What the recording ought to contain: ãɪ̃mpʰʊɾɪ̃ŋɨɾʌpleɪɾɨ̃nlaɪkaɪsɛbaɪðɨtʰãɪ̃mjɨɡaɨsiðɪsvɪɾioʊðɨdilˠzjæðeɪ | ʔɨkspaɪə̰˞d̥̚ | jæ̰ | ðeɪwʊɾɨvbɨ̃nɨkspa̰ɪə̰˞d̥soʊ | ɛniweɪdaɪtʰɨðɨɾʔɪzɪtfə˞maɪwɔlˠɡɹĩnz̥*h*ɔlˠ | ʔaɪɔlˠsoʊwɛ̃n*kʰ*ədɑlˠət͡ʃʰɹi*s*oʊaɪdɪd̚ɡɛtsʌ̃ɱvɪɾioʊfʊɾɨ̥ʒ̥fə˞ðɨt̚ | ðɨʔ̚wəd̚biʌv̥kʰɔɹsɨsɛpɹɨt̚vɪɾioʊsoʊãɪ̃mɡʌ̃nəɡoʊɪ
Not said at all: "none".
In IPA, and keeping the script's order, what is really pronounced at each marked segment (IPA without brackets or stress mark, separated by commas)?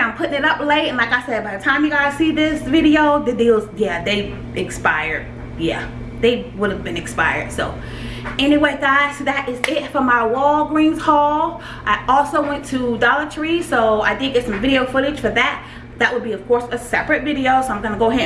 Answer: h, tʰ, s